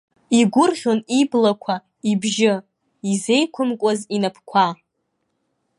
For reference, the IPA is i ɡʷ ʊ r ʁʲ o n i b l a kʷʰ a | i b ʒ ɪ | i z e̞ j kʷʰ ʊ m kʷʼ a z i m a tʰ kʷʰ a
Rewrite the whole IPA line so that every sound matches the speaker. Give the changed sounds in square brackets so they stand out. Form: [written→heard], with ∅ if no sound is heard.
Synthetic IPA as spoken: i ɡʷ ʊ r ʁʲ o n i b l a kʷʰ a | i b ʒ ɪ | i z e̞ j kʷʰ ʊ m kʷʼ a z i [m→n] a [tʰ→pʰ] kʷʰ a